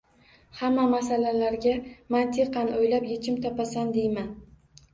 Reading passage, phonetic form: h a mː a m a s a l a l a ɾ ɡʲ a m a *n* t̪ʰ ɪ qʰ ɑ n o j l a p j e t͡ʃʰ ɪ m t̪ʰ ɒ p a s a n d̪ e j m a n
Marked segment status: correct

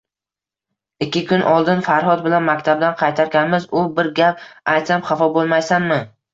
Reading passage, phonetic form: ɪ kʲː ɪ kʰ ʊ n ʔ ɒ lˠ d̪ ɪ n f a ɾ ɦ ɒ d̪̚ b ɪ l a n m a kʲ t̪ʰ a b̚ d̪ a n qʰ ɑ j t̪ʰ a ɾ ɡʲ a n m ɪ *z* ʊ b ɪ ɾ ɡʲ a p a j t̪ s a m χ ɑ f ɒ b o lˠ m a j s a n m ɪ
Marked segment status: correct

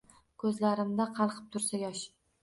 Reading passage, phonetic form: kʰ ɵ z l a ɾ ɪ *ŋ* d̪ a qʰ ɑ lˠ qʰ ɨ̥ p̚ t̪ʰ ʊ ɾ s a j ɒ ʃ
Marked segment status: incorrect: m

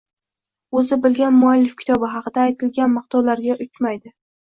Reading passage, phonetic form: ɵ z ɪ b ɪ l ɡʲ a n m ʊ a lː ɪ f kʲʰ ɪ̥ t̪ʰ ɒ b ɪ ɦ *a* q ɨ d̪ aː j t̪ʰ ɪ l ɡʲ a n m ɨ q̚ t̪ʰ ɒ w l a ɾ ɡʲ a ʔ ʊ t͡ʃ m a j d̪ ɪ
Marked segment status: incorrect: ɑ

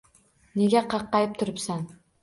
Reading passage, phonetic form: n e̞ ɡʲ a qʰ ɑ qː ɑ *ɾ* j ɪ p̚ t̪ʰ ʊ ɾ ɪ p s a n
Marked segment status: incorrect: none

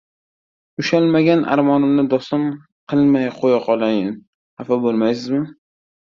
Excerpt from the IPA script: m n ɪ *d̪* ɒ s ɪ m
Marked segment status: correct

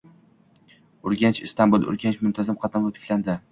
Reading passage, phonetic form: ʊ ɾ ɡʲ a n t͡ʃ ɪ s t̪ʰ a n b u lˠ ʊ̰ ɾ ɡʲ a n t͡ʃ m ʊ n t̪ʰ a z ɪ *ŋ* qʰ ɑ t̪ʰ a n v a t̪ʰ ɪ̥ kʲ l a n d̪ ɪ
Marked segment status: incorrect: m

